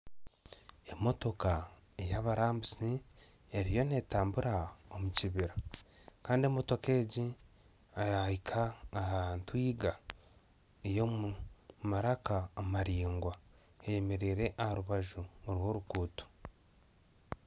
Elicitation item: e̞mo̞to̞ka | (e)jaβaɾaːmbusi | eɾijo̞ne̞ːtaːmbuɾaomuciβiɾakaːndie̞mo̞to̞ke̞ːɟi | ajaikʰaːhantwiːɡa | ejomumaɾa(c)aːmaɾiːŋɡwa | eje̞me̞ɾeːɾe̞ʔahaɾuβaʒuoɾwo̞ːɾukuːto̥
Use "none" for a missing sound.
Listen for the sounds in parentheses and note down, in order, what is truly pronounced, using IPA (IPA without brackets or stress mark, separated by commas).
e, k